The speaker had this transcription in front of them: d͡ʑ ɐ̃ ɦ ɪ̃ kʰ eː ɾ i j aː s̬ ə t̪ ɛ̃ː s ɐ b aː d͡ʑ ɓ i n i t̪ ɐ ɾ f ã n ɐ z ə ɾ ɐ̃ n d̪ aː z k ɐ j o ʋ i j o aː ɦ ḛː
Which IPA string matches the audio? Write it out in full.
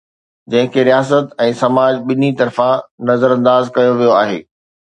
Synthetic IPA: d͡ʑ ɐ̃ ɦ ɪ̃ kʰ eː ɾ i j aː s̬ ə t̪ ɛ̃ː s ɐ m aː d͡ʑ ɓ ɪ n i t̪ ɐ ɾ f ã n ɐ z ə ɾ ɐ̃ n d̪ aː z k ɐ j o ʋ i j o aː ɦ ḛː